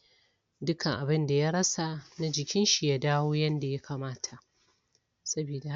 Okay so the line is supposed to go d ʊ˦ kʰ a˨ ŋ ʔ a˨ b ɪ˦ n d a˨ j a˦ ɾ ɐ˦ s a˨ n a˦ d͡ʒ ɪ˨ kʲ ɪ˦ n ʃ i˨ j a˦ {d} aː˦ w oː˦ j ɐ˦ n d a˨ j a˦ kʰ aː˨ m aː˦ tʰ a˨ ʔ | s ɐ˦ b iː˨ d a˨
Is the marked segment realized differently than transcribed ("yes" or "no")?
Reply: no